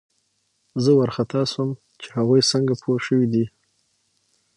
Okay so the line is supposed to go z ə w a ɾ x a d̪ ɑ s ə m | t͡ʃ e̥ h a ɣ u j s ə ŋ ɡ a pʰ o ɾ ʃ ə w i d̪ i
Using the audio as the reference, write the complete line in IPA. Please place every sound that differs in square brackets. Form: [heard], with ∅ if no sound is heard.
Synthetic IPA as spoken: z ə w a ɾ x a [t̪] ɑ s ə m | t͡ʃ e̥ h a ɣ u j s ə ŋ ɡ a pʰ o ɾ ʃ ə w i d̪ i